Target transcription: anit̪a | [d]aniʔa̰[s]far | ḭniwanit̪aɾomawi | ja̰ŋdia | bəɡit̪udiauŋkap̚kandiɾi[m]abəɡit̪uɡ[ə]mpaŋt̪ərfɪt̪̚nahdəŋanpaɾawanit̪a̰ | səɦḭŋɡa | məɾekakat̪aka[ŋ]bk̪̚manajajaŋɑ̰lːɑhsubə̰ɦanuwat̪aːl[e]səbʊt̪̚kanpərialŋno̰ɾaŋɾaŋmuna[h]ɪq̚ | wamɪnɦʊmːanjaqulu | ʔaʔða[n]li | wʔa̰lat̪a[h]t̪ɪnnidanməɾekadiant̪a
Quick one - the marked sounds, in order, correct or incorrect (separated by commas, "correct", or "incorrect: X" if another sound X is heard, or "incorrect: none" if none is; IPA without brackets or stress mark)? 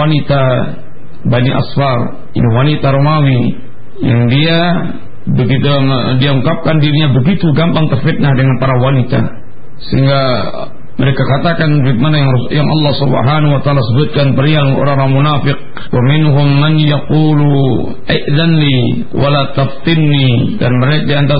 incorrect: b, correct, incorrect: ɲ, incorrect: a, incorrect: n, incorrect: a, incorrect: f, correct, incorrect: f